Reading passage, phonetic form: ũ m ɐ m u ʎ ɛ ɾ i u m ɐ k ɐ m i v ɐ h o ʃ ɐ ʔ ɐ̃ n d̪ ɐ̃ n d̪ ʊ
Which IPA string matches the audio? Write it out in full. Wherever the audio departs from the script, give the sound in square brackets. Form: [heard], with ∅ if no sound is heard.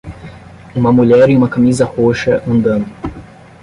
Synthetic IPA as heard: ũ m ɐ m u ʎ ɛ ɾ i u m ɐ k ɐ m i [z] ɐ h o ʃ ɐ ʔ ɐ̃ n d̪ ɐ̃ n d̪ ʊ